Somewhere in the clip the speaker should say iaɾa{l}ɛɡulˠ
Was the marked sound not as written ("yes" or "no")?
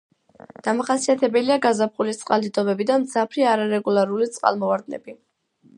yes